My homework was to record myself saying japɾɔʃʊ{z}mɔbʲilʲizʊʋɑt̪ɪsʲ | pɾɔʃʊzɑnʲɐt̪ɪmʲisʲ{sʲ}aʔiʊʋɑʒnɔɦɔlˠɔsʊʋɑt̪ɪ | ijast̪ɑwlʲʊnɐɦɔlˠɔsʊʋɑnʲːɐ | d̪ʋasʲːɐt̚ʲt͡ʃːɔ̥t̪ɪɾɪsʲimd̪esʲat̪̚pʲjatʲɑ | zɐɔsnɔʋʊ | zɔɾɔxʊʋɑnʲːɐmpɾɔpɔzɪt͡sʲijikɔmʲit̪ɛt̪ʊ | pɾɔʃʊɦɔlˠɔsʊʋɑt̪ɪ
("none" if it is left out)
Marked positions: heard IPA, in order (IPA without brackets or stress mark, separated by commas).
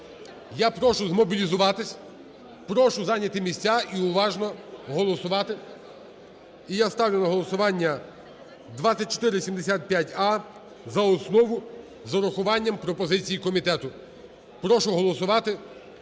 z, t͡sʲ